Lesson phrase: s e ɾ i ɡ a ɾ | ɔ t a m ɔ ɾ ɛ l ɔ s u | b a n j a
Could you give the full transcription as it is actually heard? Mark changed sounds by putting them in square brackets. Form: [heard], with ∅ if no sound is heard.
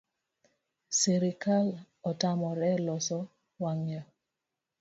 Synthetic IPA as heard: s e ɾ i [k] a [l] | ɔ t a m ɔ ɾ ɛ l ɔ s [ɔ] | [w] a [ŋ] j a